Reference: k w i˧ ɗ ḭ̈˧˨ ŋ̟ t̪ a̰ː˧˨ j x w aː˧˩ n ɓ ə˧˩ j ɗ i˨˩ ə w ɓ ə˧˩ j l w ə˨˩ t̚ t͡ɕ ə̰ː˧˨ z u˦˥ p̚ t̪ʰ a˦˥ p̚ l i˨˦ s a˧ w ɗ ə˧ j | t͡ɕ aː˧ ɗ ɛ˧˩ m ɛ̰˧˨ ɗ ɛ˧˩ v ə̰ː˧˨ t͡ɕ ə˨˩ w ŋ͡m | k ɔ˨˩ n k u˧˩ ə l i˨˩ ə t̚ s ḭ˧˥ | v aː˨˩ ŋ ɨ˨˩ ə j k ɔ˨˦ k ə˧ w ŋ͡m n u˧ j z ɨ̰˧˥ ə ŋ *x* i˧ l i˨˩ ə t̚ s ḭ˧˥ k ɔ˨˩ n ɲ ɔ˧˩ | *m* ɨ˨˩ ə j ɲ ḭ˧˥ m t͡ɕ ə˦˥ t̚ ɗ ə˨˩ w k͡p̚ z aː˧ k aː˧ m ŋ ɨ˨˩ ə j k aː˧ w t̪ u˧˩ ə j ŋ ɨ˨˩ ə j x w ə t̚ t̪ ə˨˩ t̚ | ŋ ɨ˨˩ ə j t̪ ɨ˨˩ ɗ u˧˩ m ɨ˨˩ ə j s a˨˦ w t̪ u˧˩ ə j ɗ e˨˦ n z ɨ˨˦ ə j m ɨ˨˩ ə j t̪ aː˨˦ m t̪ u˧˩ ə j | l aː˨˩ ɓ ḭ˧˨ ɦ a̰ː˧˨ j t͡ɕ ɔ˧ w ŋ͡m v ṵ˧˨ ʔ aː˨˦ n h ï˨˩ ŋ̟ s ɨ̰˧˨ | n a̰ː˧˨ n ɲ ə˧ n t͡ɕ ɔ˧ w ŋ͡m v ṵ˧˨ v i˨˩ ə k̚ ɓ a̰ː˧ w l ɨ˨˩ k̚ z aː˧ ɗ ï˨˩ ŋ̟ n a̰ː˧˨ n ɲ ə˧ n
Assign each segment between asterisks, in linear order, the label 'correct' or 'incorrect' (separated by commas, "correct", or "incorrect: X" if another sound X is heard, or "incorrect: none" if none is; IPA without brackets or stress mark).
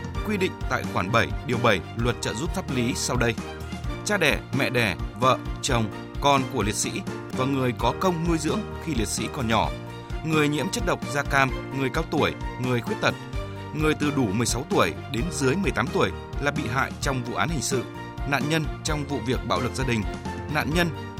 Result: correct, incorrect: ŋ